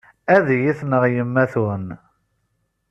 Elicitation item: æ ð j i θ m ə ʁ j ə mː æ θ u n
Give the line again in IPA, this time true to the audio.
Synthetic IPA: æ ð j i θ n ə ʁ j ə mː æ θ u n